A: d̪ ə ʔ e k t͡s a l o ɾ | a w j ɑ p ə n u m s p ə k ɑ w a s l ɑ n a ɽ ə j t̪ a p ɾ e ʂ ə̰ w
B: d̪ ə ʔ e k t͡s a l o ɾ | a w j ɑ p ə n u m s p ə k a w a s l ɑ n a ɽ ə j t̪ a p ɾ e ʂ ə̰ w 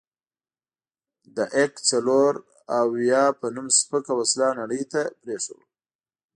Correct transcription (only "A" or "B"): B